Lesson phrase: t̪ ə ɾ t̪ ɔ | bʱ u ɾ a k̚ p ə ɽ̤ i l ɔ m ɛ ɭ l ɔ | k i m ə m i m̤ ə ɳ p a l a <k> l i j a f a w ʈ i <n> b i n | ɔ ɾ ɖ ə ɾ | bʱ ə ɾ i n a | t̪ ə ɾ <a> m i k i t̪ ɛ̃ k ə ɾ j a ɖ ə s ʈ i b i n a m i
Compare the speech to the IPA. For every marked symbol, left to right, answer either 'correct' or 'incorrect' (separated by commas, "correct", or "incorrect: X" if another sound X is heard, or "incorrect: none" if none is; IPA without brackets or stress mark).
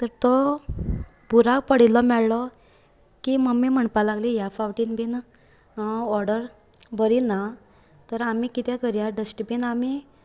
incorrect: ɡ, correct, correct